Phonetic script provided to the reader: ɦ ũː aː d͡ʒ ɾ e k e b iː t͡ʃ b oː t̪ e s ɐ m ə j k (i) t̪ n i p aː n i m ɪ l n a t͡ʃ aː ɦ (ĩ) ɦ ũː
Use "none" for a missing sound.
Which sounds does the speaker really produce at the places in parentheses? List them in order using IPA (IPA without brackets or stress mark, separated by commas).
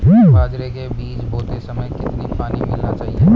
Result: ɪ, i